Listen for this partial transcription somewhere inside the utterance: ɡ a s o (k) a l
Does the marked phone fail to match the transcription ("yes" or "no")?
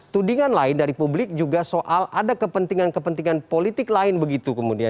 yes